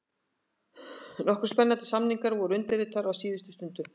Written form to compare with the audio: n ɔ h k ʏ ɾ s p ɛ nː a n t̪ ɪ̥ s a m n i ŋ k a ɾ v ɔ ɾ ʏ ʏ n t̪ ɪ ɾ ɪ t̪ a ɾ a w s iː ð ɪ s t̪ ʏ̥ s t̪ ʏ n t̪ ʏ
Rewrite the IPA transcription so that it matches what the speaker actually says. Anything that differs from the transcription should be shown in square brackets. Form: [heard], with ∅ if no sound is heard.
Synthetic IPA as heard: n ɔ h k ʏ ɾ s p ɛ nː a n t̪ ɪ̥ s a m n i ŋ k a ɾ v ɔ ɾ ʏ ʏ n t̪ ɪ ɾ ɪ t̪ a ɾ a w s iː ð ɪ s t̪ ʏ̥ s t̪ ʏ n t̪ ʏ